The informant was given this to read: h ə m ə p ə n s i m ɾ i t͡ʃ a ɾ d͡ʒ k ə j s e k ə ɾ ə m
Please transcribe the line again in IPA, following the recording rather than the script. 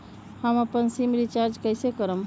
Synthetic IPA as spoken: h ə m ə p ə n s i m ɾ i t͡ʃ a ɾ d͡ʒ k ə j s e k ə ɾ ə m